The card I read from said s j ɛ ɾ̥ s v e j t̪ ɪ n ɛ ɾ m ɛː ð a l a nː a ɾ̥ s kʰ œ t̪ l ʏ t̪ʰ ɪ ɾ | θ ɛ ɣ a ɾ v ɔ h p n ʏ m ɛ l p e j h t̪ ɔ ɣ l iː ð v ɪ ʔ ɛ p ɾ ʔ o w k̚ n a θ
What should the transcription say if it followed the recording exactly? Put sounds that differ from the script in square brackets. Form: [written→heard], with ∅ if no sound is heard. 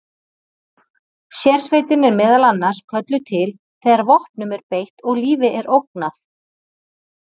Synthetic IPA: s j ɛ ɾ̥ s v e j t̪ ɪ n ɛ ɾ m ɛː ð a l a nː a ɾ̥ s kʰ œ t̪ l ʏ t̪ʰ ɪ [ɾ→l] | θ ɛ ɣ a ɾ v ɔ h p n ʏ m ɛ [l→ɾ] p e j h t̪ ɔ ɣ l iː [ð→∅] v ɪ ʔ ɛ [p→∅] ɾ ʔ o w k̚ n a θ